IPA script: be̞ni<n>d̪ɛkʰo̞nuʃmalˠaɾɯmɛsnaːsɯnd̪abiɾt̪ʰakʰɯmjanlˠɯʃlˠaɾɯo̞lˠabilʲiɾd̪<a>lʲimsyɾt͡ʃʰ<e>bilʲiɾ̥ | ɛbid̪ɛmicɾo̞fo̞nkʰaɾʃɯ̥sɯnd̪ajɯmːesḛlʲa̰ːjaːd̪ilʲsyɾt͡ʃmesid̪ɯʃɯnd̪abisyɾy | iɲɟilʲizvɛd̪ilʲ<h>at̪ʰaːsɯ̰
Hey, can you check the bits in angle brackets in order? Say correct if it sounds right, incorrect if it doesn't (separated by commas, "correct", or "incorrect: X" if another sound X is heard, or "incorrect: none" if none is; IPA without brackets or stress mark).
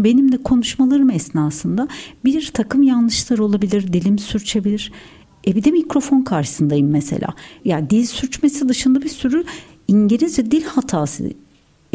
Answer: incorrect: m, incorrect: i, correct, correct